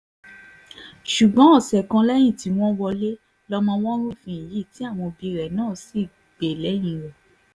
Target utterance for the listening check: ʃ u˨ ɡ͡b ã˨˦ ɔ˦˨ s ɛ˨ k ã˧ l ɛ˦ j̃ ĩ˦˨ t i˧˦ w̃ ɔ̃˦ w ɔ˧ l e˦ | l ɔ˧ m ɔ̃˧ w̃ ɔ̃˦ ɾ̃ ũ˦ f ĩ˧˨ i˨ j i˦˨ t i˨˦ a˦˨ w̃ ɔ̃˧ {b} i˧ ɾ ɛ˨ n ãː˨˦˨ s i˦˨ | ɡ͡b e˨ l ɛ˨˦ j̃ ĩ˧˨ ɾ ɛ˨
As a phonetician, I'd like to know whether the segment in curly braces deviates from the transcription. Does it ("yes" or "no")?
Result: no